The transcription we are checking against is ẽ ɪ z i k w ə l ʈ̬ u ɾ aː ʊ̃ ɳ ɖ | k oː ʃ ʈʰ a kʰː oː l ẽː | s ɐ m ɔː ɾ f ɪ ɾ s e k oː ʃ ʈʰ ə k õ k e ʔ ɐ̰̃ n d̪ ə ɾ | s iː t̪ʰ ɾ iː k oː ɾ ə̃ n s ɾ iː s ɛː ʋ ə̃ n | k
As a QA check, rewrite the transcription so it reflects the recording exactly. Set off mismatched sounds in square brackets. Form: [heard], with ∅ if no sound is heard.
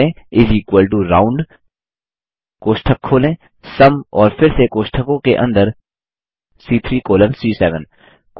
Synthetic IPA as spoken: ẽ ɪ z i k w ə l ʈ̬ u ɾ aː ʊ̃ ɳ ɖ | k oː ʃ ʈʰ [ə] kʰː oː l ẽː | s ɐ m ɔː ɾ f ɪ ɾ s e k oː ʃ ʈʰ ə k õ k e ʔ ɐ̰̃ n d̪ ə ɾ | s iː t̪ʰ ɾ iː k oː [l] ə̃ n s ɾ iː s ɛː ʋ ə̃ n | k